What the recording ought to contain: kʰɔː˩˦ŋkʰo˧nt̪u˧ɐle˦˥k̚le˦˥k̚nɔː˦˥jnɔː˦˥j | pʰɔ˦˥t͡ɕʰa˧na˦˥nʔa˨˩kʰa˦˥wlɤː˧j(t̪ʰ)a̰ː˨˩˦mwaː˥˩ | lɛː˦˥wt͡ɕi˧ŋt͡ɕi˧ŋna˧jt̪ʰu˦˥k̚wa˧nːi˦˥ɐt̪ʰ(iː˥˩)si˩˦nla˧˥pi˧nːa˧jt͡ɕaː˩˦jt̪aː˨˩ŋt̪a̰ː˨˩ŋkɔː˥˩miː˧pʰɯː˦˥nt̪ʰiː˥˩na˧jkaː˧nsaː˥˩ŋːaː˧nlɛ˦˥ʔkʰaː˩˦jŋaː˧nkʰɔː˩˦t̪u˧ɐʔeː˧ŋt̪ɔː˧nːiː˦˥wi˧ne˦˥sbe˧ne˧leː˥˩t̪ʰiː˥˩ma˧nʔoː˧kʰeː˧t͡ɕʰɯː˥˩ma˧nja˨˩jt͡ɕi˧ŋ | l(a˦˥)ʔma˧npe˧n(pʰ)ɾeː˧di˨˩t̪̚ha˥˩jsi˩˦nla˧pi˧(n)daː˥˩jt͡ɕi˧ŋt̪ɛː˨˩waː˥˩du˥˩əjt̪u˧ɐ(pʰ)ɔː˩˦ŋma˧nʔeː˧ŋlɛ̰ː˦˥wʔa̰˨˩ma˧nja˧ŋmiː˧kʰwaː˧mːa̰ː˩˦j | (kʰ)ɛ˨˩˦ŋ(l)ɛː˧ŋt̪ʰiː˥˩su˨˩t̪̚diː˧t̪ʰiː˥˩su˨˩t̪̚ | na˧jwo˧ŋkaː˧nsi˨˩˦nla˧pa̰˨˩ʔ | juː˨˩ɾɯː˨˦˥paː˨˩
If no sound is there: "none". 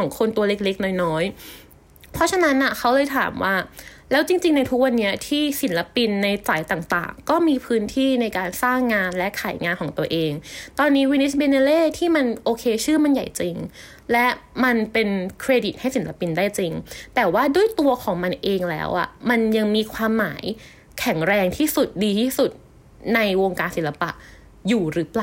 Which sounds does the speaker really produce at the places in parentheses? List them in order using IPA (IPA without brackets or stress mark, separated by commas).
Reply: t̪ʰ, iː˥˩, ɛ˦˥, kʰ, n, kʰ, kʰ, ɾ